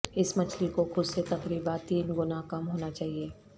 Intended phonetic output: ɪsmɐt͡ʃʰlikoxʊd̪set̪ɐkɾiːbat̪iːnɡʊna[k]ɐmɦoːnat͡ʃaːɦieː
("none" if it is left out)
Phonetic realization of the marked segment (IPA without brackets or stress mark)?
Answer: k